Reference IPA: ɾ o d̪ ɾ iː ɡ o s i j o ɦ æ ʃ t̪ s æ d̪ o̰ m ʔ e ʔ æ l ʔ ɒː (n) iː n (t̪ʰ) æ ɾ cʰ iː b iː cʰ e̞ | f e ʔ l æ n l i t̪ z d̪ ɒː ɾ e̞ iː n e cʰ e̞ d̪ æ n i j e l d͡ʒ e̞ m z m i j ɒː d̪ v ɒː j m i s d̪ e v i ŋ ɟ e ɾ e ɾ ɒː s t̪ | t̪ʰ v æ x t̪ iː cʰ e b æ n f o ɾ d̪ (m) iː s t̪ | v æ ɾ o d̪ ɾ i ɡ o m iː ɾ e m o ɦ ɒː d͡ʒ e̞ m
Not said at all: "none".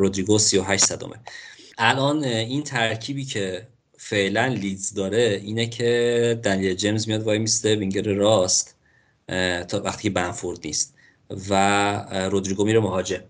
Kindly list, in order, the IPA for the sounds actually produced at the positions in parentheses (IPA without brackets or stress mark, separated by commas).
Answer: n, t̪ʰ, n